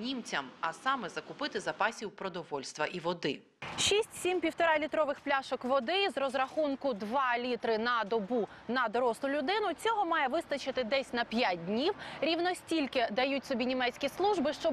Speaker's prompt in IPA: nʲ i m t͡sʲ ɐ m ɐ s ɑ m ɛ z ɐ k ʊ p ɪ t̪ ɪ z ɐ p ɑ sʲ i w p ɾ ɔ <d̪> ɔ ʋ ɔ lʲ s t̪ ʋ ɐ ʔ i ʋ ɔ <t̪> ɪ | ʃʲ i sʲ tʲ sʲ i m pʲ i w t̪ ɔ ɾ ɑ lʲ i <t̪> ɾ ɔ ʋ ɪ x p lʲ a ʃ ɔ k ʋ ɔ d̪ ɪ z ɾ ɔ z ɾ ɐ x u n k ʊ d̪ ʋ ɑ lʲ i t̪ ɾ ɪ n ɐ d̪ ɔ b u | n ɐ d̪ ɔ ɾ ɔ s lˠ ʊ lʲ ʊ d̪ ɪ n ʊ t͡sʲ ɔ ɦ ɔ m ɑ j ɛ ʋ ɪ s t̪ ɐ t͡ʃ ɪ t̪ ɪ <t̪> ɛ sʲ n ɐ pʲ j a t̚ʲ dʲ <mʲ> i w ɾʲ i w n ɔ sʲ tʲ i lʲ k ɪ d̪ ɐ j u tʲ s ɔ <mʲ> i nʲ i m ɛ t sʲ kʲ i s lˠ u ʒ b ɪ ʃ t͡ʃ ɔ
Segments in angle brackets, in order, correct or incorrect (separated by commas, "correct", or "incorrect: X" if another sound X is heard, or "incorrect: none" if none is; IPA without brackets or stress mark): correct, incorrect: d̪, correct, incorrect: d̪, incorrect: nʲ, incorrect: bʲ